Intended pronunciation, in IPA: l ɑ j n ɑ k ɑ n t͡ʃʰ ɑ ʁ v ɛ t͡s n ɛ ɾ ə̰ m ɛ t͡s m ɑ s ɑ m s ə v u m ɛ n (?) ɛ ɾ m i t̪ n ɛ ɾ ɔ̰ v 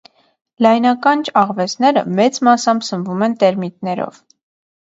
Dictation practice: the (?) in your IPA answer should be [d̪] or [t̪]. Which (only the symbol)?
t̪